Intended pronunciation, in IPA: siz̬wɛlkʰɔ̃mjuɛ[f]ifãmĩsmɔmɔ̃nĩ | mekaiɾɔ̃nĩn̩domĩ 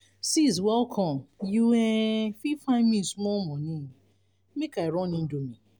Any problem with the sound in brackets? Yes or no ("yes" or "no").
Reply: no